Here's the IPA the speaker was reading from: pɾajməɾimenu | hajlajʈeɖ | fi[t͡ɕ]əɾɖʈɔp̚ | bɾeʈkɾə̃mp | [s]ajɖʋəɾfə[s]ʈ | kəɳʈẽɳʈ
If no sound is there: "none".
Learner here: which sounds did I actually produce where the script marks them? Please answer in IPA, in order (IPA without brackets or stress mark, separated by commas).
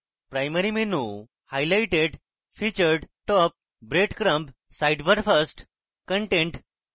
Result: t͡ɕ, s, s